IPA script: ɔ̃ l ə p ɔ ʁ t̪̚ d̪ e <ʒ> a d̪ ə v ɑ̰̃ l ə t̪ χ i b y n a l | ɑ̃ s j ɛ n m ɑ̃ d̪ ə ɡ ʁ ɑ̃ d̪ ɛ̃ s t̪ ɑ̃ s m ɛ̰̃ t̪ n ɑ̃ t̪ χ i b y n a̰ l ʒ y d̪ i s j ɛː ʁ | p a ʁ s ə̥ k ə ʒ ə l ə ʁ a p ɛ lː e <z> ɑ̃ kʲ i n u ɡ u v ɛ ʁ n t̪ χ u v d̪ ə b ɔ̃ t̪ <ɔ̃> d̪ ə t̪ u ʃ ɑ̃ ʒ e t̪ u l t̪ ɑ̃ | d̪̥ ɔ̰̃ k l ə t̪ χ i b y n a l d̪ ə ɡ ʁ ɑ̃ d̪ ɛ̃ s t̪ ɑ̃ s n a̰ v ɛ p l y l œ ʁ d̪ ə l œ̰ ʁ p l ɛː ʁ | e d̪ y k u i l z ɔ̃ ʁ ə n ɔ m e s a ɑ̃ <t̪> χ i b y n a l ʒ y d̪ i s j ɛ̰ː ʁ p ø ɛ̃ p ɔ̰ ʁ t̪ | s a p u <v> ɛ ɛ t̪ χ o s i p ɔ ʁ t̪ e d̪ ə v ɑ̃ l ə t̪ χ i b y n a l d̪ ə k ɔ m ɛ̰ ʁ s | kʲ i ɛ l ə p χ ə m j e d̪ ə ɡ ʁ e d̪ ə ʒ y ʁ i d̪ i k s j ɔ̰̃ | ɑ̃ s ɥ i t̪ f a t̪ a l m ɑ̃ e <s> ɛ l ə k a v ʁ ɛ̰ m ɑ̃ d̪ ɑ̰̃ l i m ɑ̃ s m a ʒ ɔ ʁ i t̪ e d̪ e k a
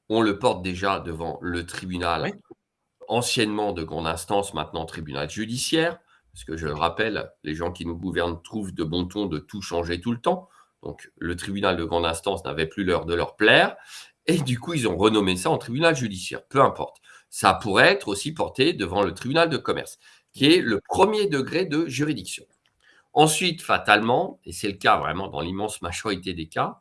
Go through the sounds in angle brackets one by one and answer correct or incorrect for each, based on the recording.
correct, incorrect: ʒ, correct, correct, incorrect: ʁ, correct

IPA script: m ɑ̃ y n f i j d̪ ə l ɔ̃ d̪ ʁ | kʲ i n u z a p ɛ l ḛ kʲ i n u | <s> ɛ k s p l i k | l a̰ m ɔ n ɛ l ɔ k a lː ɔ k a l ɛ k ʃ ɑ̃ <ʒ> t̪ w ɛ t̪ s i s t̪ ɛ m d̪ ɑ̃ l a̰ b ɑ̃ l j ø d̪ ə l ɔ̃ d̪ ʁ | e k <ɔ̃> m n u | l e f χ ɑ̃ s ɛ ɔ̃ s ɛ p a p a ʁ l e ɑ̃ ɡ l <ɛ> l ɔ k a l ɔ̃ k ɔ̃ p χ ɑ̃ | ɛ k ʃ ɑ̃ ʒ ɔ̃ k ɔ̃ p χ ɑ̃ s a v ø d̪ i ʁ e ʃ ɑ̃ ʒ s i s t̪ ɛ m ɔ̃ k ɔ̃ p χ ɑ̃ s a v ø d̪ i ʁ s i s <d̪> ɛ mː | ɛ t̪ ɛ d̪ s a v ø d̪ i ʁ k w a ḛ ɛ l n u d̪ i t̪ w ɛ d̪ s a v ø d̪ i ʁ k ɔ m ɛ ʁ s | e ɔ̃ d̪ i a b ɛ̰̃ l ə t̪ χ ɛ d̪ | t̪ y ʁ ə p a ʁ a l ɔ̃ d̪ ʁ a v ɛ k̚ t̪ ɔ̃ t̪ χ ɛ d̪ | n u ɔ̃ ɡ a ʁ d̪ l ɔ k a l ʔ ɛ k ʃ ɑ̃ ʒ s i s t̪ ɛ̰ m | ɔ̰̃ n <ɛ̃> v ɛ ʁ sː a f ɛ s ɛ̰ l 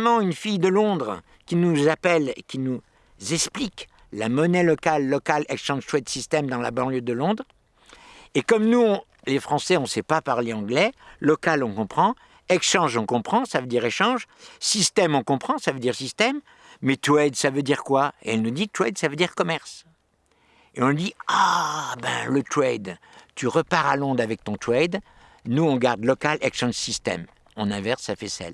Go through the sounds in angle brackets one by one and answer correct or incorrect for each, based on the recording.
incorrect: z, correct, incorrect: ɔ, correct, incorrect: t̪, correct

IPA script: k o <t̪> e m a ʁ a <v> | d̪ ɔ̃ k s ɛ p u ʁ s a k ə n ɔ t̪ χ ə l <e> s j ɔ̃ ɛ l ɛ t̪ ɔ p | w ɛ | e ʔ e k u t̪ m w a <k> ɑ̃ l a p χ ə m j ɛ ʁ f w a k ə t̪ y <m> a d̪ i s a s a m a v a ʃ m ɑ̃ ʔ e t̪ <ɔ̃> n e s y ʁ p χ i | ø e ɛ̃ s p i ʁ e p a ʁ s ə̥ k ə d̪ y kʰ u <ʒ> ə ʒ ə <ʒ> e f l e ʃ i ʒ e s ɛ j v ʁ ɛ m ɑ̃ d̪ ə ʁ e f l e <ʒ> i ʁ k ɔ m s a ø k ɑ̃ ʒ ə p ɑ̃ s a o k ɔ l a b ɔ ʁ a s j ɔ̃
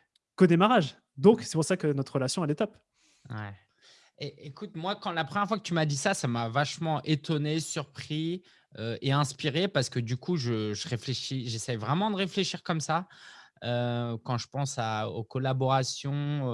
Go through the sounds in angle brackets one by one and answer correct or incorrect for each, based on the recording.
incorrect: d̪, incorrect: ʒ, incorrect: a, correct, correct, incorrect: ɔ, correct, incorrect: ʁ, incorrect: ʃ

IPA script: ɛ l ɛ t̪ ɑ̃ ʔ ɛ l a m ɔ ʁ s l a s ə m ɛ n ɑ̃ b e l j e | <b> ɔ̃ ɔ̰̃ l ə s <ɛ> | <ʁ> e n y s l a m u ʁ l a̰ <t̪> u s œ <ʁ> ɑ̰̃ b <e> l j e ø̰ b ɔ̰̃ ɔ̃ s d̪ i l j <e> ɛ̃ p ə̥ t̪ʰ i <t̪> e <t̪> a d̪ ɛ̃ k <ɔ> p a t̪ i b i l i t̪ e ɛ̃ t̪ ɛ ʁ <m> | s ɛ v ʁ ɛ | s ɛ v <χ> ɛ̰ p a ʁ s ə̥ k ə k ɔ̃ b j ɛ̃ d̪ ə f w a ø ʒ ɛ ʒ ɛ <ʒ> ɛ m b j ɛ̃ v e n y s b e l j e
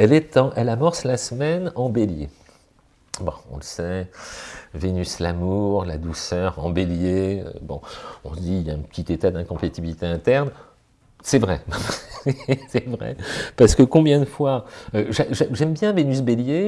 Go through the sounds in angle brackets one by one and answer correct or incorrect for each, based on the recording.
correct, correct, incorrect: v, incorrect: d̪, correct, correct, incorrect: a, correct, correct, incorrect: ɔ̃, incorrect: n, incorrect: ʁ, correct

